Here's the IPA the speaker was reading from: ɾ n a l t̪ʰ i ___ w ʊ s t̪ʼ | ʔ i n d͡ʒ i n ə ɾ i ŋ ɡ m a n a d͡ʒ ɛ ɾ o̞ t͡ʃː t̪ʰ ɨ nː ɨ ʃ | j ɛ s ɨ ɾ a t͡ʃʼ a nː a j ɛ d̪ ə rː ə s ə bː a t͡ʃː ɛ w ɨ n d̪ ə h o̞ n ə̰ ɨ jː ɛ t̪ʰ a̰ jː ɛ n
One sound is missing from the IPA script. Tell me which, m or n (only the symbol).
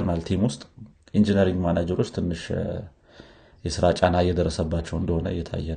m